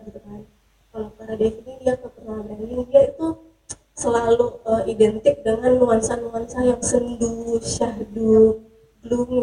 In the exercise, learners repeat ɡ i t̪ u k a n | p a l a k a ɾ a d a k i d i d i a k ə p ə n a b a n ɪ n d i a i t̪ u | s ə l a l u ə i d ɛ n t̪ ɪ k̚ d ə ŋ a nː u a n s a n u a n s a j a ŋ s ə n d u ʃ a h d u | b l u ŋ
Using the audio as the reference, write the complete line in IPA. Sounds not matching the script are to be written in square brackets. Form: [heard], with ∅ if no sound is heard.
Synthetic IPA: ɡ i t̪ u k a n | [k] a l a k a ɾ a d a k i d i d i a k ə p ə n a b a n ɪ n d i a i t̪ u | s ə l a l u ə i d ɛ n t̪ ɪ k̚ d ə ŋ a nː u a n s a n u a n s a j a ŋ s ə n d u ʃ a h d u | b l u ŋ